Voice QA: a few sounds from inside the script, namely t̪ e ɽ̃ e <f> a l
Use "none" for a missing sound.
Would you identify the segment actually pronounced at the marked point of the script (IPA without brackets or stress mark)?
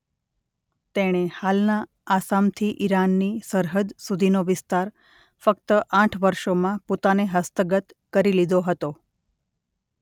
h